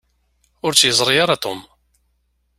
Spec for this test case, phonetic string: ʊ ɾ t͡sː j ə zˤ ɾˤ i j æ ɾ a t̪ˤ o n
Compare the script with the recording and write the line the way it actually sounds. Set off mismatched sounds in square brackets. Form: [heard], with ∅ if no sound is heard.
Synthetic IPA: ʊ ɾ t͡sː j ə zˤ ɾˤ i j [a] ɾ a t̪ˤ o [m]